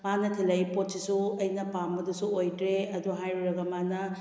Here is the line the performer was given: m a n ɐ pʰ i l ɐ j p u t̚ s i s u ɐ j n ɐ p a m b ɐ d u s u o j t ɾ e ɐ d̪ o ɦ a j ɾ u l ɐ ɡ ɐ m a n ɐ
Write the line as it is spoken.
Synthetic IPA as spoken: m a n ɐ tʰ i l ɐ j p o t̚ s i s u ɐ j n ɐ p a m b ɐ d u s u o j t ɾ e ɐ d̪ u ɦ a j ɾ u ɾ ɐ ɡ ɐ m a n ɐ